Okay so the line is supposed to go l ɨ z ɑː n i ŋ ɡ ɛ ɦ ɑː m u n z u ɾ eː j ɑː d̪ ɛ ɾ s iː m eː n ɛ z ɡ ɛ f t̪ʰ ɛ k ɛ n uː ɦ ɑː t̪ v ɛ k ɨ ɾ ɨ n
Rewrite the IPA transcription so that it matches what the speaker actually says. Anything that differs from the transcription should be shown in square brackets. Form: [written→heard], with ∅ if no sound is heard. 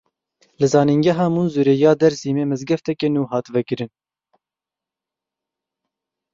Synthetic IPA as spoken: l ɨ z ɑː n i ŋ ɡ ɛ ɦ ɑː m u n z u ɾ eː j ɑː d̪ ɛ ɾ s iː m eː [n→m] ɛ z ɡ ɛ f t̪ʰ ɛ k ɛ n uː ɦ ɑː t̪ v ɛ k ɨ ɾ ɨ n